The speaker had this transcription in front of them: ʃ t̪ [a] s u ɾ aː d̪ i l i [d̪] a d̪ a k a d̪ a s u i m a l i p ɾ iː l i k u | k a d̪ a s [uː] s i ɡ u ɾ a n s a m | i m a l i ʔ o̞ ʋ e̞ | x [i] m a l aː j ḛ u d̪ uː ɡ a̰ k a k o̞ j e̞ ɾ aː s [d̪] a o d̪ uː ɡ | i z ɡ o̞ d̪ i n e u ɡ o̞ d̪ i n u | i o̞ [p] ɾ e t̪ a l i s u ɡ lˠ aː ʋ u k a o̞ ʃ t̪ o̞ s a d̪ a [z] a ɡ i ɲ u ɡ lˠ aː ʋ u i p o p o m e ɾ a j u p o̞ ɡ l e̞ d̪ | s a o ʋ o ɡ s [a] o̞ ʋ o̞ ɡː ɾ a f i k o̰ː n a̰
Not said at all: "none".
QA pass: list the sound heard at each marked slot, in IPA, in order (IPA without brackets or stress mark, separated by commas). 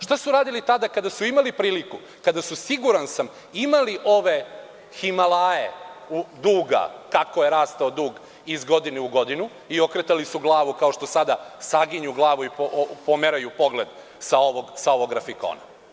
a, t̪, u, i, t̪, k, s, a